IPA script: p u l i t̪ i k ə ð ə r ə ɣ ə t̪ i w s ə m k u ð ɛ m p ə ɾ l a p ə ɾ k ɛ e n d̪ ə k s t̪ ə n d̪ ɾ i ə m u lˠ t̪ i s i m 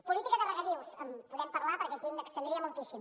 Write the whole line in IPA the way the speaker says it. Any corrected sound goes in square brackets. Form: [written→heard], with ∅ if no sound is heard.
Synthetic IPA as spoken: p u l i t̪ i k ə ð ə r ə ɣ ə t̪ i w s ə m [k→p] u ð ɛ m p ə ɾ l a p ə ɾ k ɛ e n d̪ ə k s t̪ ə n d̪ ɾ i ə m u lˠ t̪ i s i m